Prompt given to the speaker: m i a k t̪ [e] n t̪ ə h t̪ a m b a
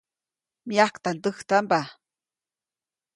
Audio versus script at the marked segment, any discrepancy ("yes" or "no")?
yes